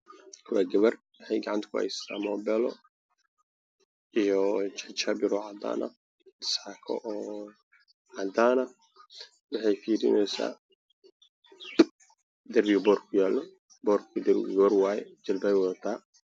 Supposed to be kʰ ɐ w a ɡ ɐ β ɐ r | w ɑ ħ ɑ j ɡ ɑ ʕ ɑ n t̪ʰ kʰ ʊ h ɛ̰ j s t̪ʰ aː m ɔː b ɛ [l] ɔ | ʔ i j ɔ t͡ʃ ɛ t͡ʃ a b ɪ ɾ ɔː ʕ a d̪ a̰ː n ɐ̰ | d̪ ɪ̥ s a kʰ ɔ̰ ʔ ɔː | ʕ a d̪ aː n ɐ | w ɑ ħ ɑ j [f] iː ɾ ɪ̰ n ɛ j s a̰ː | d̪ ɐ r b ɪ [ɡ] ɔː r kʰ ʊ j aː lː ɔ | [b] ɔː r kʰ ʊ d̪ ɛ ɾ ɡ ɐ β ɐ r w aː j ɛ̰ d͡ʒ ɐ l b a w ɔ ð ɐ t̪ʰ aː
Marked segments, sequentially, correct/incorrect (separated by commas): correct, correct, incorrect, correct